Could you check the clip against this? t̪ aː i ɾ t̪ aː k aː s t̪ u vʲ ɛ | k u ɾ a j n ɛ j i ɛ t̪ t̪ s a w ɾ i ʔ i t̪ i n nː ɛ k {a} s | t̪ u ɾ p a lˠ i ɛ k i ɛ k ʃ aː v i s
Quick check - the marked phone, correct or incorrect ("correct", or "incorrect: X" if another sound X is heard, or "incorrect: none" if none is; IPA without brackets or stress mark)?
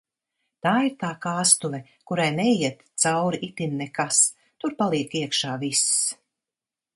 correct